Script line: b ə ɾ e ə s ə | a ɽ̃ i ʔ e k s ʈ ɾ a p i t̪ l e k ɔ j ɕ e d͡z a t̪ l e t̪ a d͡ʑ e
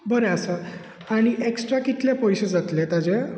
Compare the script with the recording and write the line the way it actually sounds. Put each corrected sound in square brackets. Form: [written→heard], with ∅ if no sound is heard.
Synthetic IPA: b ə ɾ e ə s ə | a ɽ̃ i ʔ e k s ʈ ɾ a [p→k] i t̪ l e [k→p] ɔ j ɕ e d͡z a t̪ l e t̪ a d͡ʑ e